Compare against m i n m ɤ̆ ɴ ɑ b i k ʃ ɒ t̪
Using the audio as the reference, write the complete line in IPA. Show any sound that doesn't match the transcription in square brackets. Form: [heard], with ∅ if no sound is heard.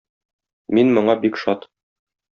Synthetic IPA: m i n m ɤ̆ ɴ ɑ b i k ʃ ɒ t̪